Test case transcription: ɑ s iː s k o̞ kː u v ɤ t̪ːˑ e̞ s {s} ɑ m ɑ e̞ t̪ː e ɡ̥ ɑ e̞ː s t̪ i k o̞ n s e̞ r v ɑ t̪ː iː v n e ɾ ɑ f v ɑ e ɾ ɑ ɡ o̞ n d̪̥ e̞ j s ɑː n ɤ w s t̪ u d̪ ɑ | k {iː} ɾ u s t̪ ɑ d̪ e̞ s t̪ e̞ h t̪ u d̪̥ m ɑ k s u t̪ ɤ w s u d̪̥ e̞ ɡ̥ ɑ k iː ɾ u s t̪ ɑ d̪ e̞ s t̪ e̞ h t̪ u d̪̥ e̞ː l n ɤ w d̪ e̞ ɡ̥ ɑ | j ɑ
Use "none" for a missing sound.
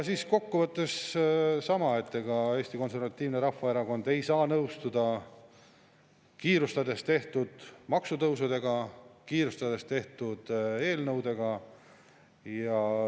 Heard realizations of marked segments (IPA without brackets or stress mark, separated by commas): s, iː